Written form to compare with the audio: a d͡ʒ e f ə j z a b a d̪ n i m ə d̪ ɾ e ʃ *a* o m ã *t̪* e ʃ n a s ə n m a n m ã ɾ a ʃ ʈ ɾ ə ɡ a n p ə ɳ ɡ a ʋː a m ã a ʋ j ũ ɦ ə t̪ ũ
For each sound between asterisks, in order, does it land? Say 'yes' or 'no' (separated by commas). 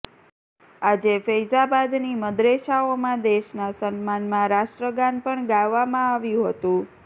yes, no